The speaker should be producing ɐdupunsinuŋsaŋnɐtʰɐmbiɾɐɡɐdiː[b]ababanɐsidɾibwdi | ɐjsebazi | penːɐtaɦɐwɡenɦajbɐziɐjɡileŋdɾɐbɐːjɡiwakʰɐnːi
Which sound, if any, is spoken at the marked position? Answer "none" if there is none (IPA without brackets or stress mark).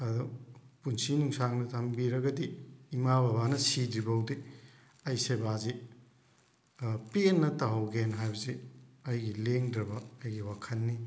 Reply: m